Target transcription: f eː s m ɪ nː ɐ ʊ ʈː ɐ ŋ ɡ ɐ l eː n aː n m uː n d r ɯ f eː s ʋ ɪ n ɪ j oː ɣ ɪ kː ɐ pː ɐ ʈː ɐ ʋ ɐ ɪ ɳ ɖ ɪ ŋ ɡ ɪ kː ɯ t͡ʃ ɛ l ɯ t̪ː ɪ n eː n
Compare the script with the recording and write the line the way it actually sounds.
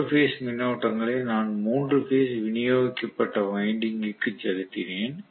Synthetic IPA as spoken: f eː s m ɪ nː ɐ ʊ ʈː ɐ ŋ ɡ ɐ ɭ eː n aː n m uː n d r ɯ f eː s ʋ ɪ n ɪ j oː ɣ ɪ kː ɐ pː ɐ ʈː ɐ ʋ ɐ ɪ ɳ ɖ ɪ ŋ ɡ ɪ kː ɯ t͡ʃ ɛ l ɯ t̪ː ɪ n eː n